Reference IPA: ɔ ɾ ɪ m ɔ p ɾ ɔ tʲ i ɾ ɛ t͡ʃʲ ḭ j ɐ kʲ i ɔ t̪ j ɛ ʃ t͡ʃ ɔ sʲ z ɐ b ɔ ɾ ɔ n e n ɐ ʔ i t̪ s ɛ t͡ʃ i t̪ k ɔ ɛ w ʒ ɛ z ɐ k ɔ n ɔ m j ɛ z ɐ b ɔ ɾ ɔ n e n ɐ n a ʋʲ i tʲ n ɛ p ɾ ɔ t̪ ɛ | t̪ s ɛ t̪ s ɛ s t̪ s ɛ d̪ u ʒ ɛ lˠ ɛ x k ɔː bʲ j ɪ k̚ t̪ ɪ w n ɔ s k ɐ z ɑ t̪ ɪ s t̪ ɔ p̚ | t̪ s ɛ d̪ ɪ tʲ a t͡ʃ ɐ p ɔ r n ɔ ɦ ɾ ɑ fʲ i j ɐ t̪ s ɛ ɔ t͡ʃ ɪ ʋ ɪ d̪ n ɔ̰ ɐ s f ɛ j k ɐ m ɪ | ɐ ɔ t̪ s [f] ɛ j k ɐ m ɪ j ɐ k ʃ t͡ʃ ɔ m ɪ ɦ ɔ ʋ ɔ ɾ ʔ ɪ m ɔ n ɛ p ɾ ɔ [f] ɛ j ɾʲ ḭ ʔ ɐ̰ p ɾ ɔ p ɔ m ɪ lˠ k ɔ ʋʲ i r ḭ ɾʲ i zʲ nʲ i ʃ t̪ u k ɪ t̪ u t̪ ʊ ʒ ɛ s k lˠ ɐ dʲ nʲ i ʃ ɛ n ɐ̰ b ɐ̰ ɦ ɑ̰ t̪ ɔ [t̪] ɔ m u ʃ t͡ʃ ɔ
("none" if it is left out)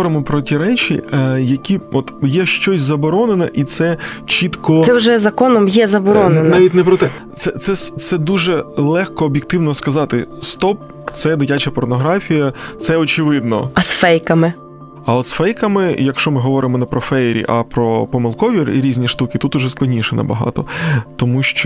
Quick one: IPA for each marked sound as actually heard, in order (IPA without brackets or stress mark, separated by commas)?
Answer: f, f, t̪